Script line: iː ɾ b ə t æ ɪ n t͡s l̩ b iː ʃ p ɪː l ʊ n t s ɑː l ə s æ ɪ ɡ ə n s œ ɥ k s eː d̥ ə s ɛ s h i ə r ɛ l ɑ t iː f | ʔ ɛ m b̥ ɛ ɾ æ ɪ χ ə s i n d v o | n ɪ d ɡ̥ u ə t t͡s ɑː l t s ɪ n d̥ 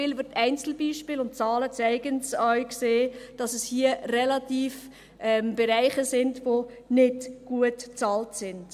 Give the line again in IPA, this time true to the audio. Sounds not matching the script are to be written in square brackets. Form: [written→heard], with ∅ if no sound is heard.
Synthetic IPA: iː [ɾ→l] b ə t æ ɪ n t͡s l̩ b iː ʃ p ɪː l ʊ n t [s→t͡s] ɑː l ə [s→t͡s] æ ɪ ɡ ə n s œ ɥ k s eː d̥ [ə→ɑ] s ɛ s h i ə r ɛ l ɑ t iː f | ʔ ɛ m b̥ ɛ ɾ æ ɪ χ ə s [i→ɪ] n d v o | n ɪ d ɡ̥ u ə t t͡s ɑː l t s ɪ n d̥